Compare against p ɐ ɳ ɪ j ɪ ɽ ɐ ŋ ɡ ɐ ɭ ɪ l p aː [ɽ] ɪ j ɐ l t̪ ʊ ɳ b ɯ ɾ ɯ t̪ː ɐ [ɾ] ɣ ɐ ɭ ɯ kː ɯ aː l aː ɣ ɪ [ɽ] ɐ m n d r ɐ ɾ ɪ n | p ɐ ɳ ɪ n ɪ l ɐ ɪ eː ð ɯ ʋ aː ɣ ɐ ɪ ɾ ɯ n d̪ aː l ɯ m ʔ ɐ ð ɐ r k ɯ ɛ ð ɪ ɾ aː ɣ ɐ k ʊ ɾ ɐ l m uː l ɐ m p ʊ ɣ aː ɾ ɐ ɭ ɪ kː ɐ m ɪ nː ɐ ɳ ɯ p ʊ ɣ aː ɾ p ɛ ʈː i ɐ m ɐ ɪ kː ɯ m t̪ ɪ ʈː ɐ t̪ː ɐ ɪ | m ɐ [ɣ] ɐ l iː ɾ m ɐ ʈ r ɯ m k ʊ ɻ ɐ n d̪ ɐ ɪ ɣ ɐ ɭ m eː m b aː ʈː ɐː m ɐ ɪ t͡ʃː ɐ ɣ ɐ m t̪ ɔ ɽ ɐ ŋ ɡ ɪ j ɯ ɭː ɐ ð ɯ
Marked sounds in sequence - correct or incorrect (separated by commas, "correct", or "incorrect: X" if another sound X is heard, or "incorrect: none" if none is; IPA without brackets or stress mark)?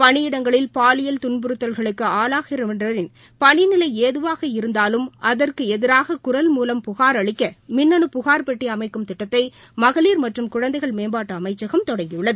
incorrect: l, incorrect: l, incorrect: ɾ, correct